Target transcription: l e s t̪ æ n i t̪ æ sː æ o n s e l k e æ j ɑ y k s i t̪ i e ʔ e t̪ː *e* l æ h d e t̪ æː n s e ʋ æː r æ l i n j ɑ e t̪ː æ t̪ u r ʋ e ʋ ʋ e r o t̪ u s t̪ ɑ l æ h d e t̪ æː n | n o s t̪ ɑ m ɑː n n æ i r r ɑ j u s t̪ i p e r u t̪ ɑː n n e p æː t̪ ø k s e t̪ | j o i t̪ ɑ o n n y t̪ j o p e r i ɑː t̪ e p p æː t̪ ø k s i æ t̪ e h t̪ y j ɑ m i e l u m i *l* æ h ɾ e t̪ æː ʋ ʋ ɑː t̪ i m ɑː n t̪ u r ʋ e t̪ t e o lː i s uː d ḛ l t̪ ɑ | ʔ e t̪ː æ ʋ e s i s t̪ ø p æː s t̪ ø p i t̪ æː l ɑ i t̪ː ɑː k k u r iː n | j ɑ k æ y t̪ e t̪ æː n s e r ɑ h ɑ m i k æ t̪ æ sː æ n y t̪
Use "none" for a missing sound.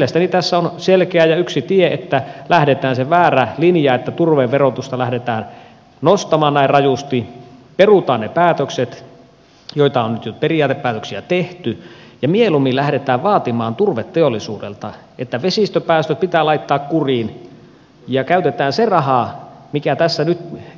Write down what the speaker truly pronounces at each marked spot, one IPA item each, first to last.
æ, l

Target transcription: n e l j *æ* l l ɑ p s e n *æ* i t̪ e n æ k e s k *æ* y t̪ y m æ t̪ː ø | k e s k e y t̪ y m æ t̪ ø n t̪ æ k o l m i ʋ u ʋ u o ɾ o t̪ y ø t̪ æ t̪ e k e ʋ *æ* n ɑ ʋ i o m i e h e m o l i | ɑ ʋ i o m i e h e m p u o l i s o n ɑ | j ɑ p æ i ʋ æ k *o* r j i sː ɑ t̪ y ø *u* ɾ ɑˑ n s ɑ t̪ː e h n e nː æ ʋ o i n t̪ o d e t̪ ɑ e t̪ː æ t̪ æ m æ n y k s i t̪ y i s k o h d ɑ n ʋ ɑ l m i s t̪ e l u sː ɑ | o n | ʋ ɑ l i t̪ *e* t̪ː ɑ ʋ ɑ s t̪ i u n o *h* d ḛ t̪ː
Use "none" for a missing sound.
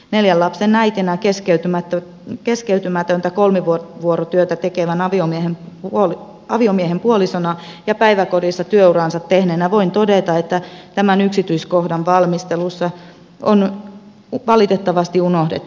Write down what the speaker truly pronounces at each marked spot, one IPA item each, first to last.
æ, æ, e, æ, o, u, e, h

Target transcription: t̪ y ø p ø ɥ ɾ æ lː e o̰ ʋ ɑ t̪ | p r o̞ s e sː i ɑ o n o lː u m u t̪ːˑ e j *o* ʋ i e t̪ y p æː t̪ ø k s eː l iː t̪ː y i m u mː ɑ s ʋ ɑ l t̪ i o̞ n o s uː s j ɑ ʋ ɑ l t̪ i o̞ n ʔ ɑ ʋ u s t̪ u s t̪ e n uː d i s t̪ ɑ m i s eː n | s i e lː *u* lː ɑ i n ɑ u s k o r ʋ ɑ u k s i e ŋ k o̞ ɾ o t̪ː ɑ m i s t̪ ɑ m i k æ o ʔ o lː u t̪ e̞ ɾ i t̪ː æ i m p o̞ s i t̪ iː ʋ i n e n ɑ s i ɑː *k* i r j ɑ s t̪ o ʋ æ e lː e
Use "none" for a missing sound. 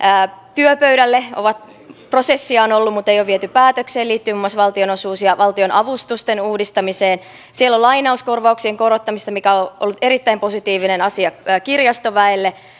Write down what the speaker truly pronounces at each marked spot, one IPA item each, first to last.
o, o, k

